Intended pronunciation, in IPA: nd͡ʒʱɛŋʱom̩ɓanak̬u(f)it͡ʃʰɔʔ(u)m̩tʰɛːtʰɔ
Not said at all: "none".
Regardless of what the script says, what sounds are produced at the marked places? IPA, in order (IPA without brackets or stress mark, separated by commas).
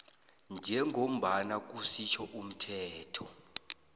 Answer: s, u